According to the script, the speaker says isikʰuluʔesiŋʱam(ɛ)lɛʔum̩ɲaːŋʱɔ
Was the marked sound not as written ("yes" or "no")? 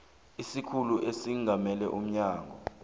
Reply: no